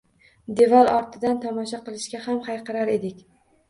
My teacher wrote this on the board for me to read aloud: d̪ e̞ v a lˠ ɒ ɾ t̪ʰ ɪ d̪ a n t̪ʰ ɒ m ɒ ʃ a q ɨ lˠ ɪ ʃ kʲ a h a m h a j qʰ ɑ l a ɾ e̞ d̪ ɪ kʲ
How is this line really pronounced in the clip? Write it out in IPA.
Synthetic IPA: d̪ e̞ v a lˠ ɒ ɾ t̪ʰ ɪ d̪ a n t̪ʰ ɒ m ɒ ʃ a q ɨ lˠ ɪ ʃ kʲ a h a m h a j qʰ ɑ ɾ a ɾ e̞ d̪ ɪ kʲ